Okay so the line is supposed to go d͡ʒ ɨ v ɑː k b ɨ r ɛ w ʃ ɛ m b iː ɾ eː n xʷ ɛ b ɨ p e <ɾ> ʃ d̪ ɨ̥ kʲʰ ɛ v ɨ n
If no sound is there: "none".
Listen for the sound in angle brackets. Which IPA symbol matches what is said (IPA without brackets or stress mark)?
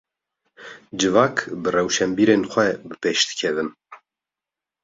none